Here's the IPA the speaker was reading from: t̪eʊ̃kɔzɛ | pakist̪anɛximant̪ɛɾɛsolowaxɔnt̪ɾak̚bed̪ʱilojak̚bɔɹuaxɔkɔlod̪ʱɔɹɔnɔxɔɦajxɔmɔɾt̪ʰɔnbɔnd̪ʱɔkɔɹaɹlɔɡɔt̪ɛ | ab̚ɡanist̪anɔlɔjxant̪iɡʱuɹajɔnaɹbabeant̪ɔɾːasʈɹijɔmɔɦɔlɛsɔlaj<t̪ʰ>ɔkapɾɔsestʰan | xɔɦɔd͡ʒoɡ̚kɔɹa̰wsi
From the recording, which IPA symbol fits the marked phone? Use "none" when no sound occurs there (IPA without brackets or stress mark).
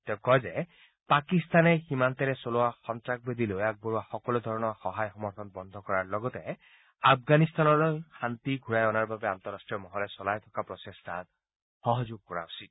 t̪ʰ